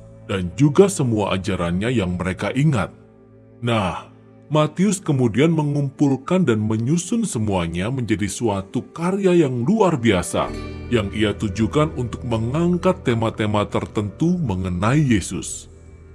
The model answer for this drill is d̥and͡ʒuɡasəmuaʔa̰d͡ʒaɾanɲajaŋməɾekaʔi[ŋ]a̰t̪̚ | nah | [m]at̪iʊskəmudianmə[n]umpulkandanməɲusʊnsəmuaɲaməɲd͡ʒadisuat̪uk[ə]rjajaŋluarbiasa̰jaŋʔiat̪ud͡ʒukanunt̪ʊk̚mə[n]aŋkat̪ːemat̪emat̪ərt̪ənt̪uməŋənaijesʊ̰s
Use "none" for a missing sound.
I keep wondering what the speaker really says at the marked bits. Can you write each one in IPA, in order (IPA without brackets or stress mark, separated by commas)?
ŋ, m, ŋ, a, ŋ